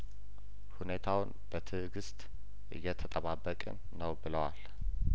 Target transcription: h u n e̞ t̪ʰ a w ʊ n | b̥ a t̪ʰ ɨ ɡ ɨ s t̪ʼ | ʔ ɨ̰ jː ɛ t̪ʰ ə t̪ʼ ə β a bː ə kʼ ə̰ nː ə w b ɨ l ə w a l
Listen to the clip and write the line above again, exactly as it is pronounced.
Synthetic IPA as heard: h u n e̞ t̪ʰ a w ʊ n | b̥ ə t̪ʰ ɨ ɡ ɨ s t̪ʼ | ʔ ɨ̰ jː ɛ t̪ʰ ə t̪ʼ ə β a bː ə kʼ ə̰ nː ə w b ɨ l ə w a l